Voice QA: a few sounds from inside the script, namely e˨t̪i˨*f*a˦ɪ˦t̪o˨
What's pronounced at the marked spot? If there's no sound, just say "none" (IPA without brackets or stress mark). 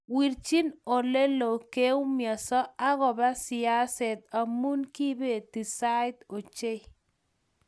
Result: s